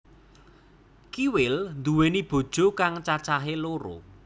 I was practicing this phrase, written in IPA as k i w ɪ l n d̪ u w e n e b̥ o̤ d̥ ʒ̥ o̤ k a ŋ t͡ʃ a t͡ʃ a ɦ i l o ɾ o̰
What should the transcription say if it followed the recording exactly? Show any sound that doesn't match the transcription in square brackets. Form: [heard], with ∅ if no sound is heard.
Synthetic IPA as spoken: k i w ɪ l n d̪ u w e n [i] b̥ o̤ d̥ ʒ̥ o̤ k a ŋ t͡ʃ a t͡ʃ a ɦ [e] l o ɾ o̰